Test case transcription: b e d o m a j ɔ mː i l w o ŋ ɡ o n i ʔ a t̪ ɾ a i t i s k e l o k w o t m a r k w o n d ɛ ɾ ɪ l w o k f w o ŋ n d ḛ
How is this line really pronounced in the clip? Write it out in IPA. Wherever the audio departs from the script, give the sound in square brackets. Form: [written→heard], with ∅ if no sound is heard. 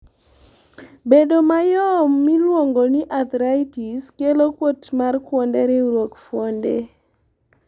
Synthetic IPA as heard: b e d o m a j ɔ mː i l w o ŋ ɡ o n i ʔ a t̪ ɾ a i t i s k e l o k w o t m a r k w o n d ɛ ɾ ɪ [l→ɾ] w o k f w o [ŋ→∅] n d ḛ